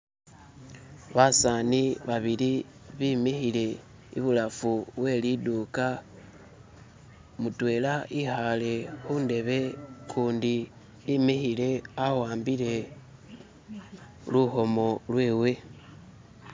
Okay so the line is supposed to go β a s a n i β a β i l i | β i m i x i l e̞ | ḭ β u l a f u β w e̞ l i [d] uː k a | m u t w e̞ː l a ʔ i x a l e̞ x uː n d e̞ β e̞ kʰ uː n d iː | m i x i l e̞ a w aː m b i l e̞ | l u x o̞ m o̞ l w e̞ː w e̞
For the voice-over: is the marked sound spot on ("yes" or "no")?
yes